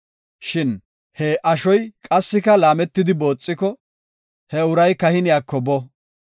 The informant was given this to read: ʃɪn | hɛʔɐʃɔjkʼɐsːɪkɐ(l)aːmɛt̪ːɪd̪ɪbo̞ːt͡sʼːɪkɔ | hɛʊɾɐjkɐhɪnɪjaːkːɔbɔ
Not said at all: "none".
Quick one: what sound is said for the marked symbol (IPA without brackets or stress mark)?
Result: l